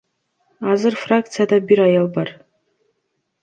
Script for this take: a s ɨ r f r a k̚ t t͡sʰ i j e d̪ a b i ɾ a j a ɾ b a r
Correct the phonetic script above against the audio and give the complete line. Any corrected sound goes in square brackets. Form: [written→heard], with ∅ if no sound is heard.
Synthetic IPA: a [s→z] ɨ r f r a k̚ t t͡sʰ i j [e→a] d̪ a b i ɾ a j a [ɾ→l] b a r